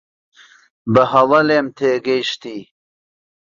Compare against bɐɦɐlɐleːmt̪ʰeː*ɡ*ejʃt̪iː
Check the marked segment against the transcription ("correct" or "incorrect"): correct